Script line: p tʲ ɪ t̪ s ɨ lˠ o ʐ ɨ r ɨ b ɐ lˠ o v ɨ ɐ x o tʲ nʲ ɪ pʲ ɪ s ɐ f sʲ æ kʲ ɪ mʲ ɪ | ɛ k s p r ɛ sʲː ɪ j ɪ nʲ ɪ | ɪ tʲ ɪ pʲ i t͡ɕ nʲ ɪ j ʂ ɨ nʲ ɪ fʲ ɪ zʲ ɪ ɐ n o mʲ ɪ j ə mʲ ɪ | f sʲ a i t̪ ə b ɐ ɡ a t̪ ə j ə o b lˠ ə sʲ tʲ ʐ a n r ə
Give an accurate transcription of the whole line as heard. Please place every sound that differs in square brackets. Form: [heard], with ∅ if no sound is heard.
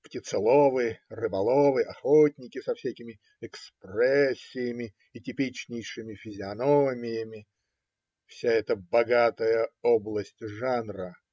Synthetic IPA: p tʲ ɪ t̪ s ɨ lˠ o [v] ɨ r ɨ b ɐ lˠ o v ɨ ɐ x o tʲ nʲ ɪ [kʲ] ɪ s ɐ f sʲ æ kʲ ɪ mʲ ɪ | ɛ k s p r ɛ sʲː ɪ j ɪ [mʲ] ɪ | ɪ tʲ ɪ pʲ i t͡ɕ nʲ ɪ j ʂ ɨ [mʲ] ɪ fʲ ɪ zʲ ɪ ɐ n o mʲ ɪ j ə mʲ ɪ | f sʲ a [ɛ] t̪ ə b ɐ ɡ a t̪ ə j ə o b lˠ ə sʲ tʲ ʐ a n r ə